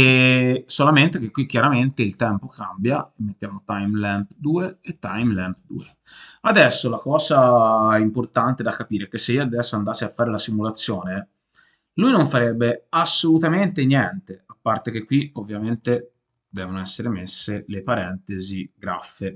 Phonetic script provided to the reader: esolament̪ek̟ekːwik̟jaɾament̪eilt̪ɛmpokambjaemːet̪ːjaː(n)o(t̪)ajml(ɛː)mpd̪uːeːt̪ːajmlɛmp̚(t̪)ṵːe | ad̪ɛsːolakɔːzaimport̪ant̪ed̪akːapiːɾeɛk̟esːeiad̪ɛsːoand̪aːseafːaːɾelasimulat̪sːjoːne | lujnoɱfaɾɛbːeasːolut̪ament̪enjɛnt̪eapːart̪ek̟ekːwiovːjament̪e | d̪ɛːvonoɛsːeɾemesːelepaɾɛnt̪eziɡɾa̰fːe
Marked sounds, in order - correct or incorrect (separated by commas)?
incorrect, correct, incorrect, incorrect